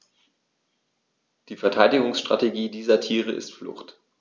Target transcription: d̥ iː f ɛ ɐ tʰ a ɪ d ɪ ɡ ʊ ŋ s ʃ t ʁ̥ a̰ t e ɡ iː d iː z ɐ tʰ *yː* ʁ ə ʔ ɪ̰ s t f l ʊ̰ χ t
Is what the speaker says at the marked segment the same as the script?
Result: no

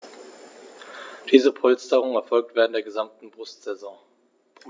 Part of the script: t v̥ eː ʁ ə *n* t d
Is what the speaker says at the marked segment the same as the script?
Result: yes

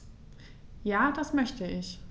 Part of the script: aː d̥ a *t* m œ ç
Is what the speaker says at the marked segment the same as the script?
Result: no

